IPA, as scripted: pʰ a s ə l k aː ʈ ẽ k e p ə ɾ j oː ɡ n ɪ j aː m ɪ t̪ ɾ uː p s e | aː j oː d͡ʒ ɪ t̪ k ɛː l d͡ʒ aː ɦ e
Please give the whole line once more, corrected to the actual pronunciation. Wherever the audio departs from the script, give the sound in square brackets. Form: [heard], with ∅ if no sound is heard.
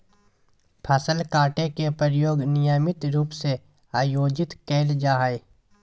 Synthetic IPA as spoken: pʰ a s ə l k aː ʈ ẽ k e p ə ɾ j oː ɡ n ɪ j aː m ɪ t̪ ɾ uː p s e | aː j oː d͡ʒ ɪ t̪ k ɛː l d͡ʒ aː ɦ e